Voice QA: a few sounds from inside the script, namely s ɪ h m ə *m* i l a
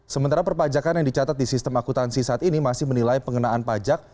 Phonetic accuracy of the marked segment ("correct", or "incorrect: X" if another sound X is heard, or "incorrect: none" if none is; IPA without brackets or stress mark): incorrect: n